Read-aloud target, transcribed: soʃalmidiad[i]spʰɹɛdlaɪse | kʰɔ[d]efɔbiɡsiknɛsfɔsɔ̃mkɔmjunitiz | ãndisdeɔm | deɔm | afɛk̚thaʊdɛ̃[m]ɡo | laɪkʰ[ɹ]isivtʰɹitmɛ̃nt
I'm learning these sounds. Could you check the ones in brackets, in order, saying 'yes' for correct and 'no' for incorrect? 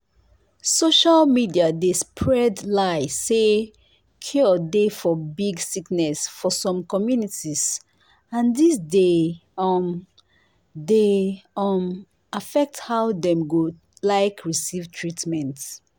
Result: no, yes, yes, yes

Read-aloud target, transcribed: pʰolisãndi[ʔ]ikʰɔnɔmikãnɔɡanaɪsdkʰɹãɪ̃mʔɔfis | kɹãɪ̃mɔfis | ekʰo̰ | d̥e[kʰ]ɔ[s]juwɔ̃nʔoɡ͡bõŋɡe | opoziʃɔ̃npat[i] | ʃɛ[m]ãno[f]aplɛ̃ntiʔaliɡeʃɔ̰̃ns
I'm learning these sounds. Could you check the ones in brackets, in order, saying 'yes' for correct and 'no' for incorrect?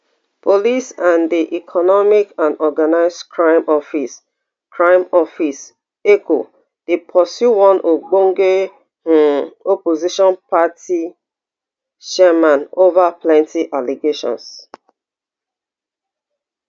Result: yes, no, yes, yes, yes, no

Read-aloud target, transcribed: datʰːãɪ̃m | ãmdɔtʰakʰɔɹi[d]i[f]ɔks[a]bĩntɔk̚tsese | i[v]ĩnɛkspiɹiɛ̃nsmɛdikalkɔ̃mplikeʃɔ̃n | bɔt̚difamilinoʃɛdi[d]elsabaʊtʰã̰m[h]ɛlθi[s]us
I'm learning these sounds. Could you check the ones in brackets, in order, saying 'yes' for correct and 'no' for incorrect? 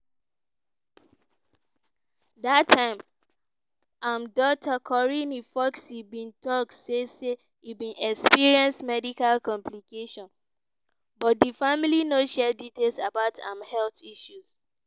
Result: no, yes, no, no, no, yes, no

